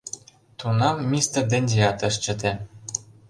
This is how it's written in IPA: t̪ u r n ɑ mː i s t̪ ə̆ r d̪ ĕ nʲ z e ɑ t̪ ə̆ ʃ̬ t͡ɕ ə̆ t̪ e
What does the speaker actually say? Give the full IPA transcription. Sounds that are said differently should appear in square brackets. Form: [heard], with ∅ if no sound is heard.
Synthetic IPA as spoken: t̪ u [∅] n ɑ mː i s t̪ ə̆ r d̪ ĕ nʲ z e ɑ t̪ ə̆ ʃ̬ t͡ɕ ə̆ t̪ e

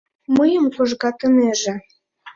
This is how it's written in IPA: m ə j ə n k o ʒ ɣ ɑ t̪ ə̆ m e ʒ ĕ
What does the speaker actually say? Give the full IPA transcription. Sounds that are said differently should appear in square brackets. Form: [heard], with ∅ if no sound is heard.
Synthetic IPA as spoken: m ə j ə [m] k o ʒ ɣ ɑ t̪ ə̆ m e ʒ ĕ

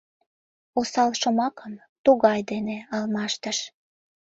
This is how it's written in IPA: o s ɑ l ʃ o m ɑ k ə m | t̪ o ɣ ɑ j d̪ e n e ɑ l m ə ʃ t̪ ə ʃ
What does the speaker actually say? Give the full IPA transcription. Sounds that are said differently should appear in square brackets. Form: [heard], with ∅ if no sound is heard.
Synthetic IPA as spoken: o s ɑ l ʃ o m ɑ k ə m | t̪ [u] ɣ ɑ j d̪ e n e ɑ l m [ɑ] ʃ t̪ ə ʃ

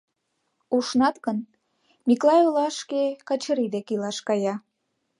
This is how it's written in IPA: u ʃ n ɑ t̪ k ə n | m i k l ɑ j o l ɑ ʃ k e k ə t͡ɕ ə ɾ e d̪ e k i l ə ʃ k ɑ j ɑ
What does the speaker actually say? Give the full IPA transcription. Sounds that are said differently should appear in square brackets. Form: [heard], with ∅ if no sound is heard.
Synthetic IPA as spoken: u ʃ n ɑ t̪ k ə n | m i k l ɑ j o l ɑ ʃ k e k [ɑ] t͡ɕ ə ɾ [i] d̪ e k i l [ɑ] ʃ k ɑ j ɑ

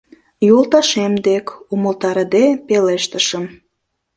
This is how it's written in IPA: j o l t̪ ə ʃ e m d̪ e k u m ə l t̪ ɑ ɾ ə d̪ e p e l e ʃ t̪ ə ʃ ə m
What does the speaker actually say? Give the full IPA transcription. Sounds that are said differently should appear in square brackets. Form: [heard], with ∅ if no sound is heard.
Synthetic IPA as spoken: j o l t̪ [ɑ] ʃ e m d̪ e k u m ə l t̪ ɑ ɾ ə d̪ e p e l e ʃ t̪ ə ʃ ə m

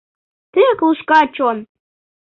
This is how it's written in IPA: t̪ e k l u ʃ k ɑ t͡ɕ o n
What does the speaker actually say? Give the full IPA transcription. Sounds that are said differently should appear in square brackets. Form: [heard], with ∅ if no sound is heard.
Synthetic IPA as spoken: t̪ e k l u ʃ k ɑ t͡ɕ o n

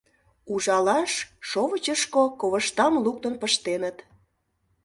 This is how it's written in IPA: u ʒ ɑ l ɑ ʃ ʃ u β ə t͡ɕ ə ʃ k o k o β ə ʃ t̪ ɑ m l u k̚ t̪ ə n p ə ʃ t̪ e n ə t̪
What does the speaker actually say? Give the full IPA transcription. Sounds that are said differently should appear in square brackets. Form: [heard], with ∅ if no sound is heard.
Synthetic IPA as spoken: u ʒ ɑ l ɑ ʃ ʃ [o] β ə t͡ɕ ə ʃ k o k o β ə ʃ t̪ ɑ m l u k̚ t̪ ə n p ə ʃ t̪ e n ə t̪

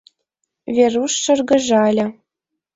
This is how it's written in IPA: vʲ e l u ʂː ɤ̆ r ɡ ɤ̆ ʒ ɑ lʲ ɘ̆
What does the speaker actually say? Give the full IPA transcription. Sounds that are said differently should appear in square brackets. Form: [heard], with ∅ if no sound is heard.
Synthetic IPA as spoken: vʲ e [r] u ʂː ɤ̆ r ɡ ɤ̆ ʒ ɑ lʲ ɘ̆

